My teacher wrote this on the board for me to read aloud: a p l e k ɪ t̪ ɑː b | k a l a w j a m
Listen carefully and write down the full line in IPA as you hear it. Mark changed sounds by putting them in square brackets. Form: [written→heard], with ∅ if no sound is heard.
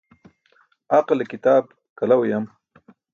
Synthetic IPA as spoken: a [p→q] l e k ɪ t̪ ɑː b | k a l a w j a m

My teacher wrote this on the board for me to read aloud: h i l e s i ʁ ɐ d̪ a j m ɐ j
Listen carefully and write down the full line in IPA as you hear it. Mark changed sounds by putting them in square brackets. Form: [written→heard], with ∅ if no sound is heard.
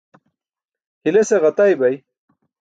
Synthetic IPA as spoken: h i l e s [i→e] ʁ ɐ [d̪→t̪] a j [m→b] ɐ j

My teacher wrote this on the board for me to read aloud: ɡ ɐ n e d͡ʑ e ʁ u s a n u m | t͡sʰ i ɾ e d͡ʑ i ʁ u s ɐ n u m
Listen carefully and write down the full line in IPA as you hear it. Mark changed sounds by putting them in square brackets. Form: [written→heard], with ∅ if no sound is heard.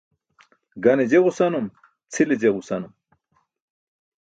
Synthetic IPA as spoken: ɡ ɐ n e d͡ʑ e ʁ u s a n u m | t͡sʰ i [ɾ→l] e d͡ʑ [i→e] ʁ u s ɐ n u m

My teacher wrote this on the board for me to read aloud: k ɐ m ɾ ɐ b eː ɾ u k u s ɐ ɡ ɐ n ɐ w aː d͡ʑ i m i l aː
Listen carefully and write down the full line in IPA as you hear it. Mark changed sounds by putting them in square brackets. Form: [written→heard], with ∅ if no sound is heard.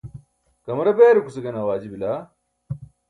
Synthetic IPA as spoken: k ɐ m ɾ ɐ b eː ɾ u k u s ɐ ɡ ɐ n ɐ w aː d͡ʑ i [m→b] i l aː

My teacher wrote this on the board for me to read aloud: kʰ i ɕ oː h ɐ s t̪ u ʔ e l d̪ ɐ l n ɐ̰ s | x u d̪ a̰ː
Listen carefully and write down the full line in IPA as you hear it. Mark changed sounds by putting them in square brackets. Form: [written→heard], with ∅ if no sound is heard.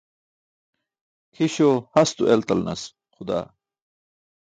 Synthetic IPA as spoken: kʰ i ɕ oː h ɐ s t̪ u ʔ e l [d̪→t̪] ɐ l n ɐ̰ s | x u d̪ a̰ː

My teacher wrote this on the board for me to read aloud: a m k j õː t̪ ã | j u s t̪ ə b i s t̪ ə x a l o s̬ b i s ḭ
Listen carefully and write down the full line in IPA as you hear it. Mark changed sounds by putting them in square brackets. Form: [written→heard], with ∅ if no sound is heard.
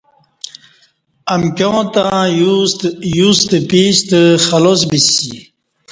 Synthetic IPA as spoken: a m k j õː t̪ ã | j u s t̪ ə [b→p] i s t̪ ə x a l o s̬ b i s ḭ

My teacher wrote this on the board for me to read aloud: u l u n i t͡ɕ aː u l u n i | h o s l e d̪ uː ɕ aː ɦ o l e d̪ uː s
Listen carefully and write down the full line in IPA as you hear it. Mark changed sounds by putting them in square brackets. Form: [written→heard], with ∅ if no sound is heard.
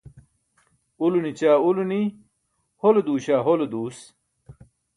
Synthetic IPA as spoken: u l u n i t͡ɕ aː u l u n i | h o [s→∅] l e d̪ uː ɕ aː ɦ o l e d̪ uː s

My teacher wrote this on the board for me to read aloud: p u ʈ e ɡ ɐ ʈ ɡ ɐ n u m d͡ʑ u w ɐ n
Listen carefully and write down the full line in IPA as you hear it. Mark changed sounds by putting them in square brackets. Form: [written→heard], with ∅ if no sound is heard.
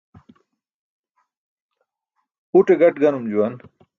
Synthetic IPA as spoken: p u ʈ e ɡ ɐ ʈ ɡ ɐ n u m d͡ʑ u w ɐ n

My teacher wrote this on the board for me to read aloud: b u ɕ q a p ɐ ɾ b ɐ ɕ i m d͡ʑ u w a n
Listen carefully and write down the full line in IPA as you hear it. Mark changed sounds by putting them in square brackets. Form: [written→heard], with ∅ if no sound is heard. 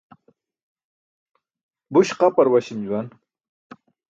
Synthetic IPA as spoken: b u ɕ q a p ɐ ɾ [b→w] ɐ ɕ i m d͡ʑ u w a n

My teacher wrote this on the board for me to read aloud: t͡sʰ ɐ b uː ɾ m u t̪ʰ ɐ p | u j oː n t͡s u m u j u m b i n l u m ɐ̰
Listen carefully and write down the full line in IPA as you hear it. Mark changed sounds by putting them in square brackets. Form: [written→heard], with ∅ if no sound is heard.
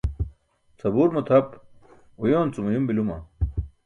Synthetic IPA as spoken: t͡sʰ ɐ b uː ɾ m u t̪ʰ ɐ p | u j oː n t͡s u m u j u m b i [n→∅] l u m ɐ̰

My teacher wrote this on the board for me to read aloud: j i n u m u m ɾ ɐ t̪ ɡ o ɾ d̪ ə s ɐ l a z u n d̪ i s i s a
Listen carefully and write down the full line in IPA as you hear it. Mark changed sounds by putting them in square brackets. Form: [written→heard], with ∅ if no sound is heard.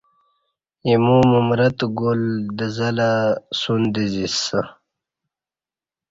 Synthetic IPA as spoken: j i [n→m] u m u m ɾ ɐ t̪ ɡ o [ɾ→l] d̪ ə [s→z] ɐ l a [z→s] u n d̪ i [s→z] i s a

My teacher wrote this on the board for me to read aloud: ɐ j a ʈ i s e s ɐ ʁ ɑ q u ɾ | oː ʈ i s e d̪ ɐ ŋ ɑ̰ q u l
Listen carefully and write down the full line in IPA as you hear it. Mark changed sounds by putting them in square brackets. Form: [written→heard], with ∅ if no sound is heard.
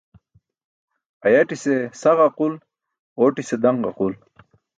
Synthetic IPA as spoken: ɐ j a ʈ i s e s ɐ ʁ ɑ q u [ɾ→l] | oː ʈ i s e d̪ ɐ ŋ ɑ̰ q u l

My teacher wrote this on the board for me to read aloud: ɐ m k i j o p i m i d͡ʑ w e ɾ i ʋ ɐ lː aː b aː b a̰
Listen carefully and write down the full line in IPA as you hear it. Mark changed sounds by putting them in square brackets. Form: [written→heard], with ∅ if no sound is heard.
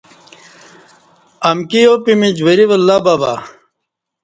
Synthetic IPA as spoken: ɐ m k i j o p i m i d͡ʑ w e ɾ i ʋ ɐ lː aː b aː b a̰

